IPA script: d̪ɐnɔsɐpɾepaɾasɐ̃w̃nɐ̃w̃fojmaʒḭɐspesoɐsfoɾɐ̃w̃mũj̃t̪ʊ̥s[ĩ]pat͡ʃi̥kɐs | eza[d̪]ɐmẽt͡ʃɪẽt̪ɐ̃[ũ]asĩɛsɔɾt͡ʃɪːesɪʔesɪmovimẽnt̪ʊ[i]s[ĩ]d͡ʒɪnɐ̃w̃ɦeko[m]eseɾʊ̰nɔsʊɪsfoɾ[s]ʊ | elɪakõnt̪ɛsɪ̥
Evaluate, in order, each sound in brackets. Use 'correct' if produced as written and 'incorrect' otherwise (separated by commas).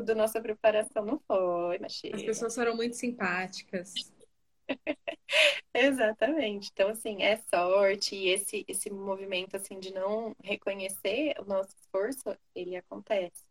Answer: correct, incorrect, incorrect, incorrect, correct, incorrect, correct